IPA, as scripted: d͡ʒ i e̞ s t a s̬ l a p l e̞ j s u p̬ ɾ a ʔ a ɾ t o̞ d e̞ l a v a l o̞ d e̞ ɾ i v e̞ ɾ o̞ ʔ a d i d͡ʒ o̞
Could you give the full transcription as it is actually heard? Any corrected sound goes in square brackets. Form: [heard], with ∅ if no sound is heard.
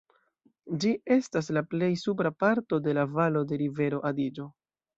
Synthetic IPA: d͡ʒ i e̞ s t a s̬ l a p l e̞ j s u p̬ ɾ a [p] a ɾ t o̞ d e̞ l a v a l o̞ d e̞ ɾ i v e̞ ɾ o̞ ʔ a d i d͡ʒ o̞